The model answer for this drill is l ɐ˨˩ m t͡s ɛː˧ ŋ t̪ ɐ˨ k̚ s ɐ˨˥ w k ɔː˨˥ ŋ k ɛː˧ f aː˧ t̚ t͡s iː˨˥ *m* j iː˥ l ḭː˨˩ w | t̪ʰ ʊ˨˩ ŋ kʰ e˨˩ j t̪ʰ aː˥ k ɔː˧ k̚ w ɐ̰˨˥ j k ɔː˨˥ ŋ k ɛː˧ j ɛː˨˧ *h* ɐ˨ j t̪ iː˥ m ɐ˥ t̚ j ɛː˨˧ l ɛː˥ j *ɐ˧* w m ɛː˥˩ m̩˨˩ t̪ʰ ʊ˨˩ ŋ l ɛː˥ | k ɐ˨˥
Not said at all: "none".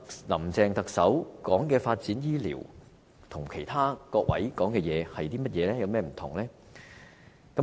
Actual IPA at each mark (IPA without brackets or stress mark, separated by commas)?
n, h, ɐ˧